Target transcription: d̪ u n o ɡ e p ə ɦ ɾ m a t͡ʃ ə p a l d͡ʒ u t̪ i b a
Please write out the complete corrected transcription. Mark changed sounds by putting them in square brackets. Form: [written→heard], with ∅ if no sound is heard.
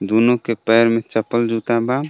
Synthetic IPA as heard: d̪ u n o [ɡ→k] e p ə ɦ ɾ m [a→e] t͡ʃ ə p [a→ə] l d͡ʒ u t̪ [i→a] b a